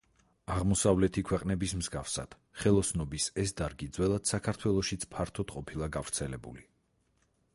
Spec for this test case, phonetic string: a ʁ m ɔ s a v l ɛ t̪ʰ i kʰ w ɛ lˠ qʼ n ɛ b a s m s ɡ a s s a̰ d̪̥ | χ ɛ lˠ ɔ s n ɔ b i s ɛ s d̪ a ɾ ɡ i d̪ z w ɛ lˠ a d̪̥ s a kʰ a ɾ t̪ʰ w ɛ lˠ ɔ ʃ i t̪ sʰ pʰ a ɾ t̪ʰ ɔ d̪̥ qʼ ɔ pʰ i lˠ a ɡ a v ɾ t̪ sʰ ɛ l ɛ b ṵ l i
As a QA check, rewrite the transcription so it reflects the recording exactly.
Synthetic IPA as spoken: a ʁ m ɔ s a v l ɛ t̪ʰ i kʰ w ɛ qʼ n ɛ b i s m z ɡ a f s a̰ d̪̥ | χ ɛ lˠ ɔ s n ɔ b i s ɛ s d̪ a ɾ ɡ i d̪ z w ɛ lˠ a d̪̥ s a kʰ a ɾ t̪ʰ w ɛ lˠ ɔ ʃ i t̪ sʰ pʰ a ɾ t̪ʰ ɔ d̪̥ qʼ ɔ pʰ i lˠ a ɡ a v ɾ t̪ sʰ ɛ l ɛ b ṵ l i